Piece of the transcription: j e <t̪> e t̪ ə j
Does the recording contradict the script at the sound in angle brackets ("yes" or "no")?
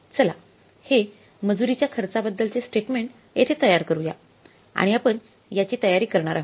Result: yes